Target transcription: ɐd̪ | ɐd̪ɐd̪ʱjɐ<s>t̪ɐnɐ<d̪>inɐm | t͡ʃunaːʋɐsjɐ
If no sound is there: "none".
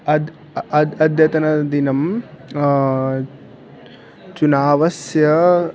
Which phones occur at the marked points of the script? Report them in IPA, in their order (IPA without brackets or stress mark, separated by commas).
none, d̪